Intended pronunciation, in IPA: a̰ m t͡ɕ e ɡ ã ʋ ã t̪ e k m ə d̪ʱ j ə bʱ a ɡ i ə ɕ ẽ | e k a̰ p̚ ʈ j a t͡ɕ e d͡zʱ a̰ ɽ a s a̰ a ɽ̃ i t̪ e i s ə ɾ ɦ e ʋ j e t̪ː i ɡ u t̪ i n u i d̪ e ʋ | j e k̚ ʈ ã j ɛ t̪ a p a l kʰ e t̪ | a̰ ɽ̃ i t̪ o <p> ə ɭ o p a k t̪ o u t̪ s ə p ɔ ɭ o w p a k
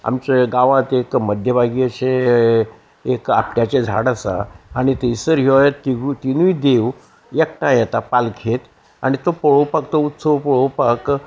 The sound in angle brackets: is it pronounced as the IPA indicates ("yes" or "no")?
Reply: yes